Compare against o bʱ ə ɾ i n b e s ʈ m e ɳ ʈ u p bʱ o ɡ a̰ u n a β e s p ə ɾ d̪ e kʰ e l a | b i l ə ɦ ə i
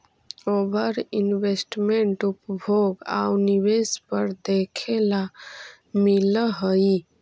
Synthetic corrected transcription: o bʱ ə ɾ i n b e s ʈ m e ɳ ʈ u p bʱ o ɡ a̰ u n i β e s p ə ɾ d̪ e kʰ e l a | m i l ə ɦ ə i